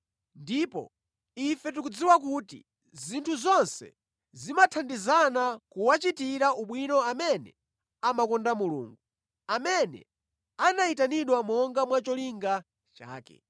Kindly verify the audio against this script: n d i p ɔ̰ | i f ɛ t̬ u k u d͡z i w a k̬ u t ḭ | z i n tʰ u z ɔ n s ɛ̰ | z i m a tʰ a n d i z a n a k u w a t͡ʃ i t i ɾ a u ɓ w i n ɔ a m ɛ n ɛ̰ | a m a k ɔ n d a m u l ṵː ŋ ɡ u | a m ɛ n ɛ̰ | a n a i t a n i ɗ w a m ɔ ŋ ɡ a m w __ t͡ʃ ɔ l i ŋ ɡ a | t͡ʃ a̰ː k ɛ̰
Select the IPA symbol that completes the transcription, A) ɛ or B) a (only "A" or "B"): B